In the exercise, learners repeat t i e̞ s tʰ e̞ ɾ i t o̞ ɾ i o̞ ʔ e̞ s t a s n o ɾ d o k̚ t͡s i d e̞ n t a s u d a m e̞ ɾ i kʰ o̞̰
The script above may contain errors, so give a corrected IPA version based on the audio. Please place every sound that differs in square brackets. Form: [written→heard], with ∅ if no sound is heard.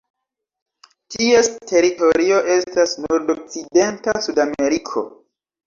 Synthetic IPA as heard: t i e̞ s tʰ e̞ ɾ i t o̞ ɾ i o̞ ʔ e̞ s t a s n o ɾ d o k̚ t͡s i d e̞ n t a s u d a m e̞ ɾ i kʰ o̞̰